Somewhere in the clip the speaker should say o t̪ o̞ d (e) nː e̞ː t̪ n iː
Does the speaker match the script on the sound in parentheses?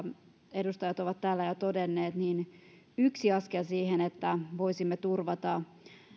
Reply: yes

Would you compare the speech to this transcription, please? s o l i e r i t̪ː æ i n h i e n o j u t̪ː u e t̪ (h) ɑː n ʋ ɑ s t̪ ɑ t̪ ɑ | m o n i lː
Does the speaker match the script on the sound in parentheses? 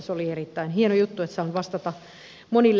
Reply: no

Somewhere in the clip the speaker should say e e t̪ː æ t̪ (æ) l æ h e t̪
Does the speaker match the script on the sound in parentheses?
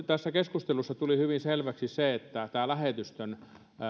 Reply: no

